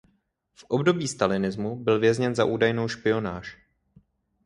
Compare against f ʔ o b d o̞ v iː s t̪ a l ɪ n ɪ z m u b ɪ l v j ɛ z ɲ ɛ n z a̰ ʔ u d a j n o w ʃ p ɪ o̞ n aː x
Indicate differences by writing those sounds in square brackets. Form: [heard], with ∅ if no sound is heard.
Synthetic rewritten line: f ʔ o b d o̞ [b] iː s t̪ a l ɪ n ɪ z m u b ɪ l v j ɛ z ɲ ɛ n z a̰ ʔ [uː] d a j n o w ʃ p ɪ o̞ n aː [ʃ]